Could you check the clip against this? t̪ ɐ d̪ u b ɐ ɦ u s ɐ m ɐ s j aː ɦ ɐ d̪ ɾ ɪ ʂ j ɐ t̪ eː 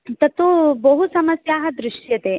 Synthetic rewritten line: t̪ ɐ t̪ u b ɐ ɦ u s ɐ m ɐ s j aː ɦ ɐ d̪ ɾ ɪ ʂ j ɐ t̪ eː